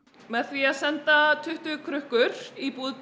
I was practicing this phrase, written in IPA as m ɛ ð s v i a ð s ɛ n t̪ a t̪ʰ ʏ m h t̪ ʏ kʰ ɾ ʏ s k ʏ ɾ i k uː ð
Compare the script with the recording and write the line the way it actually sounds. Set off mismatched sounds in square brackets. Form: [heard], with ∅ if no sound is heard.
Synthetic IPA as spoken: m ɛ ð [θ] v i a ð s ɛ n t̪ a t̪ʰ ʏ [∅] h t̪ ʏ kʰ ɾ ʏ [h] k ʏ ɾ i [p] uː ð